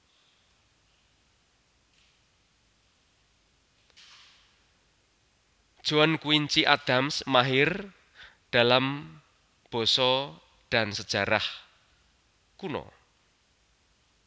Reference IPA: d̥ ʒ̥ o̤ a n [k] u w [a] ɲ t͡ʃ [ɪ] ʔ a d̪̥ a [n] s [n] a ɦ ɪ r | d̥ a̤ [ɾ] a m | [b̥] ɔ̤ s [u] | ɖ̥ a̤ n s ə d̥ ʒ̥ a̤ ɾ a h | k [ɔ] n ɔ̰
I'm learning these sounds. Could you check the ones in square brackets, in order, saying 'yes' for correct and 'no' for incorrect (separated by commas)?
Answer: yes, no, no, no, no, no, yes, no, no